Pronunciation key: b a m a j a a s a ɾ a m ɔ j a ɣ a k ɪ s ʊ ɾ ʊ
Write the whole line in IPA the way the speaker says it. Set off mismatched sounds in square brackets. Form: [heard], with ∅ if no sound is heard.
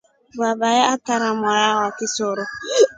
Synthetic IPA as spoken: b a [b] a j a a [t] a ɾ a m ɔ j a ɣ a k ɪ s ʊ ɾ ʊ